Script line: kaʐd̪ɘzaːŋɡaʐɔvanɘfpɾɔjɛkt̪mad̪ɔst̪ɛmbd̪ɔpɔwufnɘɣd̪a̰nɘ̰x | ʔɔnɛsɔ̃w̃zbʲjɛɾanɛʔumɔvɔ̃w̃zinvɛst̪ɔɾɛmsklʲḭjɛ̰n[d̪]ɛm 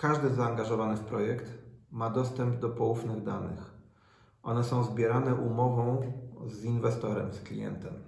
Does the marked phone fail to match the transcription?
yes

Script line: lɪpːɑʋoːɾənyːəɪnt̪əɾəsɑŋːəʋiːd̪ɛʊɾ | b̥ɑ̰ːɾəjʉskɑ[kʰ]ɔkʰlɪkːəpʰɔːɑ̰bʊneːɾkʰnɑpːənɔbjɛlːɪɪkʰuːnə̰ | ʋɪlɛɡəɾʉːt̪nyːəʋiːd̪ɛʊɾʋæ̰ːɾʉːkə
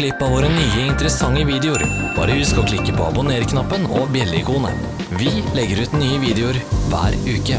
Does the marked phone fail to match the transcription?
yes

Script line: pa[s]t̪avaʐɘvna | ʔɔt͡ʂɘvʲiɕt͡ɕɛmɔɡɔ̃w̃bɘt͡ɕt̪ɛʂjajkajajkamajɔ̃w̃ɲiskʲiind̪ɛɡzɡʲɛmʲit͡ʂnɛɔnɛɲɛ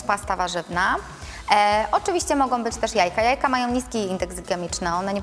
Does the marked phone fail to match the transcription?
no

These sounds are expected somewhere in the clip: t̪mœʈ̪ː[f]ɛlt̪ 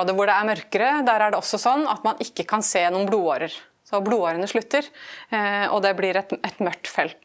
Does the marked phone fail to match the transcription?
no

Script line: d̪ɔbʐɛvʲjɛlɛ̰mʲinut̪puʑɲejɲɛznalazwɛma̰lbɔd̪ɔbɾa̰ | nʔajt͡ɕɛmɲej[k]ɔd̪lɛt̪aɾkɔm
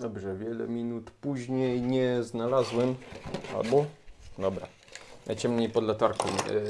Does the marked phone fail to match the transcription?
yes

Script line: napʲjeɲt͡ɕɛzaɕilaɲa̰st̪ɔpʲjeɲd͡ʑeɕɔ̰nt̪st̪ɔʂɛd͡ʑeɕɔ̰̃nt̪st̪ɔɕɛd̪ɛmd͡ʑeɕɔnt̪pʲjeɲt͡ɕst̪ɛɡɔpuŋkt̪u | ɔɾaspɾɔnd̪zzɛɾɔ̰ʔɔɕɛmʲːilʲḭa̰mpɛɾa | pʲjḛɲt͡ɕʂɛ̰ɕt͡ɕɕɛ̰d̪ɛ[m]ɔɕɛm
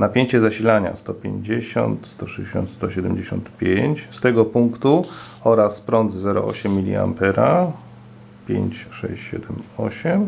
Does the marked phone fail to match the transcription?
no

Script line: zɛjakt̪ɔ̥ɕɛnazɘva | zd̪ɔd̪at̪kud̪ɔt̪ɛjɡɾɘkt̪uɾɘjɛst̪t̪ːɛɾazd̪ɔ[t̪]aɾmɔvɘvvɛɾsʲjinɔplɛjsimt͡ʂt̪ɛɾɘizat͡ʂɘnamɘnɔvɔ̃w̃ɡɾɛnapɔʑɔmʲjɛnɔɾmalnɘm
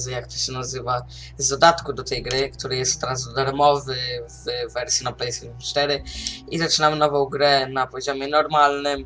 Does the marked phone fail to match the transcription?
yes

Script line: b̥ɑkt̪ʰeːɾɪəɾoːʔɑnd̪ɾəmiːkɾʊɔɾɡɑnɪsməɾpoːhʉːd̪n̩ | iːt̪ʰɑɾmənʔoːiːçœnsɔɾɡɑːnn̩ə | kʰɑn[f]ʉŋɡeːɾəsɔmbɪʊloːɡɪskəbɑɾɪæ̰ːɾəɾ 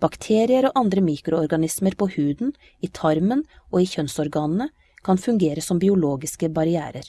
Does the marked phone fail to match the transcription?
no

